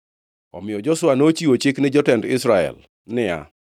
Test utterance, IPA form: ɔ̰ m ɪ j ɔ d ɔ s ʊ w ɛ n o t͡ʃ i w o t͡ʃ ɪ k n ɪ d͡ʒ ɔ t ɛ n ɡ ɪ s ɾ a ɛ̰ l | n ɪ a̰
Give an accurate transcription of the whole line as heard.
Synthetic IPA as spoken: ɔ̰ m ɪ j ɔ d͡ʒ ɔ s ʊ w a n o t͡ʃ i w o t͡ʃ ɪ k n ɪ d͡ʒ ɔ t ɛ n d ɪ s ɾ a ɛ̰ l | n ɪ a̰